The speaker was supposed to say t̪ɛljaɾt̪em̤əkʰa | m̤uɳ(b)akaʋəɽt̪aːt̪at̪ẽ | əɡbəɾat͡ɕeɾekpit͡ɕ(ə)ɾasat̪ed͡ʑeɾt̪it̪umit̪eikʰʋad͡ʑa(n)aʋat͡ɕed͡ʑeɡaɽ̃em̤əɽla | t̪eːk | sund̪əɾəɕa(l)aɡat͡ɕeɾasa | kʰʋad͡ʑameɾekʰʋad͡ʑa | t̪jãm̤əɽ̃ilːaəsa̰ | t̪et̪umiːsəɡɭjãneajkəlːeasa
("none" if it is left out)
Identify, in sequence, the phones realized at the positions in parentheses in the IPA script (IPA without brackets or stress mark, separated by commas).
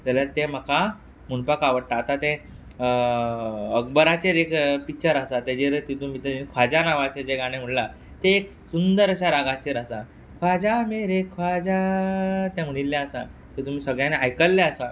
p, ə, n, ɾ